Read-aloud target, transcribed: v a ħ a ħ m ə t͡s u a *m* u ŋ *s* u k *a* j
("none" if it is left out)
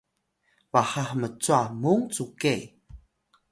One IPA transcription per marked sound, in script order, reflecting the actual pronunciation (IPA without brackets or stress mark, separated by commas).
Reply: m, t͡s, e